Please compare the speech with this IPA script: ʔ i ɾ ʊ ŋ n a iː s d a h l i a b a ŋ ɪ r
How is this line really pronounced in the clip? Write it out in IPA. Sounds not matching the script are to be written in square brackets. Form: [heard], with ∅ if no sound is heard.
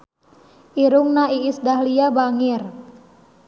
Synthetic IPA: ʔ i ɾ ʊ ŋ n a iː s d a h l i a b a ŋ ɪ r